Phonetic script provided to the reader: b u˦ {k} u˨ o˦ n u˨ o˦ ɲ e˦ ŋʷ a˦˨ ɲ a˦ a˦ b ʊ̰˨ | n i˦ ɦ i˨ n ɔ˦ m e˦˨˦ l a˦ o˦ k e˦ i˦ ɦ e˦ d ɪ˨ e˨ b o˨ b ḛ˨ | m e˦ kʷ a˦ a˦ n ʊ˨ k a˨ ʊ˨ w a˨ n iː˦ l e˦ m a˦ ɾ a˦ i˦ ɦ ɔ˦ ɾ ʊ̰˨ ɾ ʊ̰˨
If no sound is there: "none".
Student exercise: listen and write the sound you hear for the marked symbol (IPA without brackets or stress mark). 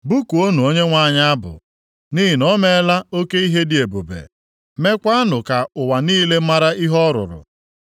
k